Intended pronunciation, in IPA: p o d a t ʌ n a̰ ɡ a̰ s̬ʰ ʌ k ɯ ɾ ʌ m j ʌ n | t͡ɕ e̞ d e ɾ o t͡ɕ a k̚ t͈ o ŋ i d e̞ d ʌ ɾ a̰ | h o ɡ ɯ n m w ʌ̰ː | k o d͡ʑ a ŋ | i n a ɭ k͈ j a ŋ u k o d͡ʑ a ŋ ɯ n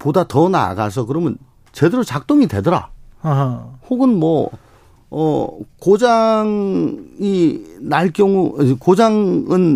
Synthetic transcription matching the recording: p o d a t ʌ n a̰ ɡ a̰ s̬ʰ ʌ k ɯ ɾ ʌ m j ʌ n | t͡ɕ e̞ d e ɾ o t͡ɕ a k̚ t͈ o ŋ i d e̞ d ʌ ɾ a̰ | h o ɡ ɯ n m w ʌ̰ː | k o d͡ʑ a ŋ | i n a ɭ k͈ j ʌ ŋ u k o d͡ʑ a ŋ ɯ n